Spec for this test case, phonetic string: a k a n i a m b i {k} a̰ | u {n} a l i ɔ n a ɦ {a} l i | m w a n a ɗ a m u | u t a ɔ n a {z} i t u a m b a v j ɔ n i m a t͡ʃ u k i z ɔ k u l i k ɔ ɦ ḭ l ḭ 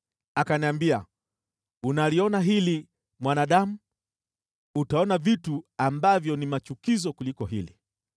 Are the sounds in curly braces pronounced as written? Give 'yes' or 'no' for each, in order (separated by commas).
no, yes, no, no